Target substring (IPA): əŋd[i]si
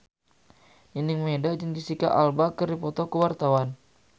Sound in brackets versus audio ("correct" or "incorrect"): correct